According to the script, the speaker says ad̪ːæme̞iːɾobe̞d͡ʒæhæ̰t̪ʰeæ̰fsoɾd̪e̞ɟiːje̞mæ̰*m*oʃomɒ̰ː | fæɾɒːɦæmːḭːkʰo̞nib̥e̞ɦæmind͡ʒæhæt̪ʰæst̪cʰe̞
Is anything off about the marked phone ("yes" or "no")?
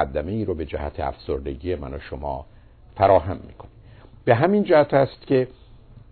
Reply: yes